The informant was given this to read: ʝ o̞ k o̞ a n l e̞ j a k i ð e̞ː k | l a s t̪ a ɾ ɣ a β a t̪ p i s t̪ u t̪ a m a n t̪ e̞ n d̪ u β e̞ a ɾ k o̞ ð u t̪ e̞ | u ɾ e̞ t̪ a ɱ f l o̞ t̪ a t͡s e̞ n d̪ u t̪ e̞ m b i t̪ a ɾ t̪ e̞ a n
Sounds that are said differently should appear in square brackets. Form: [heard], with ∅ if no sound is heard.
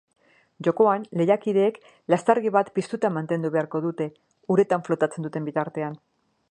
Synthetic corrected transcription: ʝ o̞ k o̞ a n l e̞ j a k i ð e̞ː k | l a s t̪ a ɾ ɣ [i] β a t̪ p i s t̪ u t̪ a m a n t̪ e̞ n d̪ u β e̞ a ɾ k o̞ ð u t̪ e̞ | u ɾ e̞ t̪ a ɱ f l o̞ t̪ a t͡s e̞ n d̪ u t̪ e̞ m b i t̪ a ɾ t̪ e̞ a n